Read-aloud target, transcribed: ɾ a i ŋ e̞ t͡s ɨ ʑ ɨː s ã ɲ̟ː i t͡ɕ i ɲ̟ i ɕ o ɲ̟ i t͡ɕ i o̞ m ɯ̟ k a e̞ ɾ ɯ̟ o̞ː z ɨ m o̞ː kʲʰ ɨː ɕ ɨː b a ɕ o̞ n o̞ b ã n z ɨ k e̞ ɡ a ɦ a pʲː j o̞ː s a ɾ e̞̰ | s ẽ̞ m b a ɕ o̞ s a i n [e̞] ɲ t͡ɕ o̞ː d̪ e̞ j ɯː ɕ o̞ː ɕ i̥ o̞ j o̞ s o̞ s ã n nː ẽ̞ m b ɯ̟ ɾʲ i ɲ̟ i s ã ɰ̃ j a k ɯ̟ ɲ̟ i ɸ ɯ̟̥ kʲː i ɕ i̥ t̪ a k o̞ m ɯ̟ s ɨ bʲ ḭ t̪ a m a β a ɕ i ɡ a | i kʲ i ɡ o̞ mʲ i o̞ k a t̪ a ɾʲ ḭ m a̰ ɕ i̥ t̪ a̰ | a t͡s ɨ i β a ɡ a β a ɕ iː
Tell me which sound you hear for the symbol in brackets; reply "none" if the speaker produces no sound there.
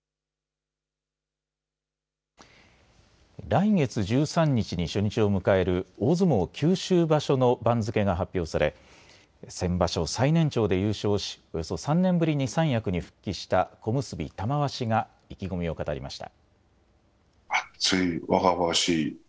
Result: ẽ̞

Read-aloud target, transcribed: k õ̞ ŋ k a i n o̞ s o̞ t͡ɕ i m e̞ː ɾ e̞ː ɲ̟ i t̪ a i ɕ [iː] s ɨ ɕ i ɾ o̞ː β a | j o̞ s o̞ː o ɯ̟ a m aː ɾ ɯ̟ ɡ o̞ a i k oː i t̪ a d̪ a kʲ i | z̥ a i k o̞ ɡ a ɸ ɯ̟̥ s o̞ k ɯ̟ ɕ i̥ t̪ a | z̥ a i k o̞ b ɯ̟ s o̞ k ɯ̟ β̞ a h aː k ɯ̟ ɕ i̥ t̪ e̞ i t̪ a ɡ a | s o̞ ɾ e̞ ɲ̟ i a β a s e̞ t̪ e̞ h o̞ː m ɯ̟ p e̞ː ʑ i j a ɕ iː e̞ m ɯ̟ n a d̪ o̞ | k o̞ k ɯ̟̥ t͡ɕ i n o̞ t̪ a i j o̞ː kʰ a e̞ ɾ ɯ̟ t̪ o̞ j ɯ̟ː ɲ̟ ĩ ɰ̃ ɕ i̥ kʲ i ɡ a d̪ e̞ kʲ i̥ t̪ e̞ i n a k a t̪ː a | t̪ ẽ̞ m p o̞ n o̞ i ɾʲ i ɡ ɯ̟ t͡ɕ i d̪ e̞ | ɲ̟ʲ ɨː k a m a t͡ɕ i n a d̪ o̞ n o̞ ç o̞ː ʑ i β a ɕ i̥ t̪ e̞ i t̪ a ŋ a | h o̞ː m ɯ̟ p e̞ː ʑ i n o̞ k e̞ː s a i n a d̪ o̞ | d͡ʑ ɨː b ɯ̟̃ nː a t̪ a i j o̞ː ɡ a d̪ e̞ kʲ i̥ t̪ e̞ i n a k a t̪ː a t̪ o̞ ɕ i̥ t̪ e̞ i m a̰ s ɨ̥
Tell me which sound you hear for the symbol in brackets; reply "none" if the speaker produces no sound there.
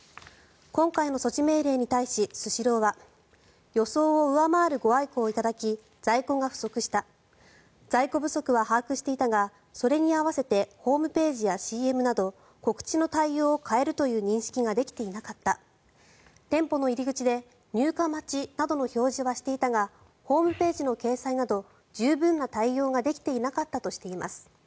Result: i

